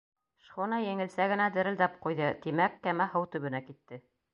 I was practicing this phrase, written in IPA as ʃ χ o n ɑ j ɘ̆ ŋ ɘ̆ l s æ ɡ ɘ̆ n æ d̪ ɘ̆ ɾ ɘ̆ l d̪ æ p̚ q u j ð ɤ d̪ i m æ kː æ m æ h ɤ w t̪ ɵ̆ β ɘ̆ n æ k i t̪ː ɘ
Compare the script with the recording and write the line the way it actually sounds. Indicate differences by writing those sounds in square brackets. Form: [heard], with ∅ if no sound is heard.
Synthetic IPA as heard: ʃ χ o n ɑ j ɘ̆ ŋ ɘ̆ l s æ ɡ ɘ̆ n æ d̪ ɘ̆ ɾ ɘ̆ l d̪ æ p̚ q u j ð ɤ [t̪] i m æ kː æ m æ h ɤ w t̪ ɵ̆ β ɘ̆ n æ k i t̪ː ɘ